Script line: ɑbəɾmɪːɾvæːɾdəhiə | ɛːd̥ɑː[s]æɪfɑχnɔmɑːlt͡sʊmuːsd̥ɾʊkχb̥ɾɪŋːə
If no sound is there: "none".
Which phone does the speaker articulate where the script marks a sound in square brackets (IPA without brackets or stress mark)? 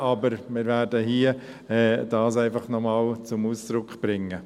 s